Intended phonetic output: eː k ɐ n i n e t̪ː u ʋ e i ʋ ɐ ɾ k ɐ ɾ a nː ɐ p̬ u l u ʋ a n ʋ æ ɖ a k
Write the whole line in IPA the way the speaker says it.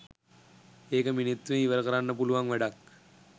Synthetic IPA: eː k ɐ m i n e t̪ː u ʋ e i ʋ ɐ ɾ k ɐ ɾ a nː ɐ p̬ u l u ʋ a ŋ ʋ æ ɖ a k